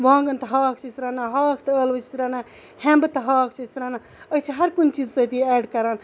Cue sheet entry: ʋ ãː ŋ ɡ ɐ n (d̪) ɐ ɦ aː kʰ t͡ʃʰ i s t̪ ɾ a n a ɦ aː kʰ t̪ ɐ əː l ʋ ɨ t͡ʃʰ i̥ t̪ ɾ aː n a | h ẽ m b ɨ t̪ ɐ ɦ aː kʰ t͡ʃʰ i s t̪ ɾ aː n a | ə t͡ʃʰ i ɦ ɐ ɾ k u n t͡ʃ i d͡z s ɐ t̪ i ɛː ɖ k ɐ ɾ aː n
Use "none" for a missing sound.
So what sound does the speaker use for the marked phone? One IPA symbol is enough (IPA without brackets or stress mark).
t̪